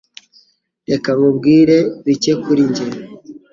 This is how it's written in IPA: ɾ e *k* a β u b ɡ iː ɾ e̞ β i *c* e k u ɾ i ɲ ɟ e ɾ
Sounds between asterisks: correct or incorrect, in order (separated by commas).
correct, correct